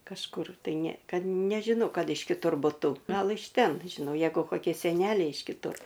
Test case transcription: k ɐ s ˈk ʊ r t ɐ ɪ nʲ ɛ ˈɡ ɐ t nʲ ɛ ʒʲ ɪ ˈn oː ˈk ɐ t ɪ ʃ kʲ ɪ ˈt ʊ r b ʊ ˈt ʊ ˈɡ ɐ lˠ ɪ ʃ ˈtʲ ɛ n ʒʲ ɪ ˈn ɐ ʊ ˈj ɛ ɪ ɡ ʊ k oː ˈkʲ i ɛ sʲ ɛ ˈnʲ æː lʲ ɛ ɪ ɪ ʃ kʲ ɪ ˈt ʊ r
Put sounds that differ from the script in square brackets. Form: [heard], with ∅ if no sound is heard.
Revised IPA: k ɐ [ʃ] ˈk ʊ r t ɐ ɪ nʲ ɛ [ˈk] ɐ t nʲ ɛ ʒʲ ɪ ˈn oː ˈk ɐ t ɪ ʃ kʲ ɪ ˈt ʊ r b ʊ ˈt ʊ ˈɡ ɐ lˠ ɪ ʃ ˈtʲ ɛ n ʒʲ ɪ ˈn ɐ ʊ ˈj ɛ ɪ ɡ ʊ k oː ˈkʲ i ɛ sʲ ɛ ˈnʲ æː lʲ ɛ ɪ ɪ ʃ kʲ ɪ ˈt ʊ r

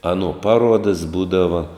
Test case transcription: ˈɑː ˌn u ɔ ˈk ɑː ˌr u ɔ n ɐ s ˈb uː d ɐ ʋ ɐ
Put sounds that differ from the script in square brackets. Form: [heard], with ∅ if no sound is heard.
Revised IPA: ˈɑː ˌn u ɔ [ˈp] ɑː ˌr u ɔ [d] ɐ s ˈb uː d ɐ ʋ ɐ

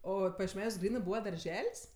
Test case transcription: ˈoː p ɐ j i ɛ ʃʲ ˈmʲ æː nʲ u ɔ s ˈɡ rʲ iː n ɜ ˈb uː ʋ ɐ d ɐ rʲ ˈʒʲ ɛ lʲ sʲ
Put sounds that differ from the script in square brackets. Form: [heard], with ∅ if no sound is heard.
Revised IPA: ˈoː p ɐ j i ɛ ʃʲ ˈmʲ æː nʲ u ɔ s ˈɡ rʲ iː n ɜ ˈb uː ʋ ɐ d ɐ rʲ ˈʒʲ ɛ lʲ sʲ

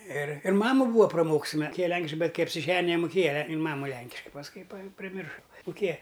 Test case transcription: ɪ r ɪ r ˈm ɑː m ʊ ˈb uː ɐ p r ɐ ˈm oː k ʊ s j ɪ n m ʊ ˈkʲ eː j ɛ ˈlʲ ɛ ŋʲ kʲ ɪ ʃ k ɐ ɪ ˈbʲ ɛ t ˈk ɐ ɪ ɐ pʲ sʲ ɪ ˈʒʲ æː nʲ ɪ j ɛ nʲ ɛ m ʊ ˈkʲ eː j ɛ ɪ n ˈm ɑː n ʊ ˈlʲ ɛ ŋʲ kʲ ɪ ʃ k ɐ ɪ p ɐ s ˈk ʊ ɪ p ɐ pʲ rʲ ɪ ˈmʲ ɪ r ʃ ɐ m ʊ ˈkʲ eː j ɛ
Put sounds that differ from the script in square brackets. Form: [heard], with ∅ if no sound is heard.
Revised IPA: ɪ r ɪ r ˈm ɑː m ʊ ˈb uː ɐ p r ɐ ˈm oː k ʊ s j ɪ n m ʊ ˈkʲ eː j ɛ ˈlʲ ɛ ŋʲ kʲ ɪ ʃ k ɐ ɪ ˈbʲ ɛ t ˈk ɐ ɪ ɐ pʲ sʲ ɪ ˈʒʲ æː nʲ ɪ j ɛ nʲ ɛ m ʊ ˈkʲ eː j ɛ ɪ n ˈm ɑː [m] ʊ ˈlʲ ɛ ŋʲ kʲ ɪ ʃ k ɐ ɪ p ɐ s ˈk ʊ ɪ p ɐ pʲ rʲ ɪ ˈmʲ ɪ r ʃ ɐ m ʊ ˈkʲ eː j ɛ

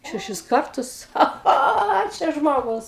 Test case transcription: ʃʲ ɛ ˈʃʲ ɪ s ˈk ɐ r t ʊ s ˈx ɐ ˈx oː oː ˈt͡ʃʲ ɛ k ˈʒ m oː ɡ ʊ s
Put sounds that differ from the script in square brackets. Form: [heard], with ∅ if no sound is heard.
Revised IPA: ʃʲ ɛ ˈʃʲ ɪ s ˈk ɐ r t ʊ s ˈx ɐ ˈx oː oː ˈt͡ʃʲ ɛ [∅] ˈʒ m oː ɡ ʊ s

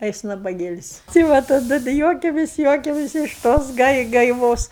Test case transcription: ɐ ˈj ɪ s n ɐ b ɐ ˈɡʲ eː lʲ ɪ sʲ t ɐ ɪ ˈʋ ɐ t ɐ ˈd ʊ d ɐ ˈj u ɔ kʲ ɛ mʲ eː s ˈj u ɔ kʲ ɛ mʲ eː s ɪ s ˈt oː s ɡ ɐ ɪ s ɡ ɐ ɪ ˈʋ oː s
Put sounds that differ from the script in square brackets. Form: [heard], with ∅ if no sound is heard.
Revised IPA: ɐ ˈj ɪ s n ɐ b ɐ ˈɡʲ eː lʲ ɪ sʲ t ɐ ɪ ˈʋ ɐ t ɐ ˈd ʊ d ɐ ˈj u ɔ kʲ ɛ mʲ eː s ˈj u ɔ kʲ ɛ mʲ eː s ɪ [ʃ] ˈt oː s ɡ ɐ ɪ [∅] ɡ ɐ ɪ ˈʋ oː s

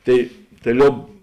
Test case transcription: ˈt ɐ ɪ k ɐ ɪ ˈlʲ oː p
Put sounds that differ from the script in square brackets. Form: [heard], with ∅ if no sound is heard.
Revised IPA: ˈt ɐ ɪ [t] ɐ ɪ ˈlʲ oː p

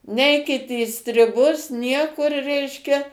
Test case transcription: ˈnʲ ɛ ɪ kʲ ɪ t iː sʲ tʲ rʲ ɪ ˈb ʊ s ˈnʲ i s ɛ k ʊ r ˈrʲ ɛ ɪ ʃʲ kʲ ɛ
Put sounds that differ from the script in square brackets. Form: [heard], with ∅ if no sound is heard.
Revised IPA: ˈnʲ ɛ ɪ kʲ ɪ t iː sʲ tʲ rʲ ɪ ˈb ʊ s ˈnʲ i [∅] ɛ k ʊ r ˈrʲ ɛ ɪ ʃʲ kʲ ɛ

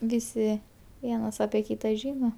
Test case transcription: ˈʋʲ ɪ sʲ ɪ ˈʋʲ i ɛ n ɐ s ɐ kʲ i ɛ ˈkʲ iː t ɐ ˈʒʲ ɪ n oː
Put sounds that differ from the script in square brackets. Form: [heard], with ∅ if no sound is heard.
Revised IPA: ˈʋʲ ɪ sʲ ɪ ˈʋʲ i ɛ n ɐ s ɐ [pʲ] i ɛ ˈkʲ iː t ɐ ˈʒʲ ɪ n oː

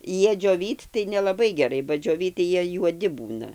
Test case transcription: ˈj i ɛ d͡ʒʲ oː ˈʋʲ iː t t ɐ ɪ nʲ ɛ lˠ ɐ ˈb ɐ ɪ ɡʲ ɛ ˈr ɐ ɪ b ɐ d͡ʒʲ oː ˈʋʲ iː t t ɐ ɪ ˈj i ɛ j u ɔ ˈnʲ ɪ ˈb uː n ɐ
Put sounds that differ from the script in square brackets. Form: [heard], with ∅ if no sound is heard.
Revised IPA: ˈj i ɛ d͡ʒʲ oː ˈʋʲ iː t t ɐ ɪ nʲ ɛ lˠ ɐ ˈb ɐ ɪ ɡʲ ɛ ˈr ɐ ɪ b ɐ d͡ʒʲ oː ˈʋʲ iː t t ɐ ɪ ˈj i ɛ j u ɔ [ˈdʲ] ɪ ˈb uː n ɐ

